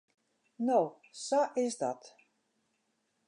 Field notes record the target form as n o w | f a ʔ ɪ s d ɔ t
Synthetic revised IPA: n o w | s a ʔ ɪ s d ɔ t